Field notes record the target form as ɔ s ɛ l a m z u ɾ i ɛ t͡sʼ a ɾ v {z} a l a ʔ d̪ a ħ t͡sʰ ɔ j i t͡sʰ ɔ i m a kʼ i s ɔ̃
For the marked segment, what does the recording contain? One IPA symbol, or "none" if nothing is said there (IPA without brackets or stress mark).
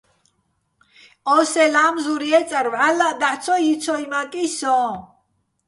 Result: ʕ